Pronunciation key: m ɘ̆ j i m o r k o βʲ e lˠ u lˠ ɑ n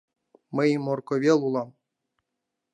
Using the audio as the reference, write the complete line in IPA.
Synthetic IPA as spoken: m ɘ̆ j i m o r k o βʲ e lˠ u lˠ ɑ m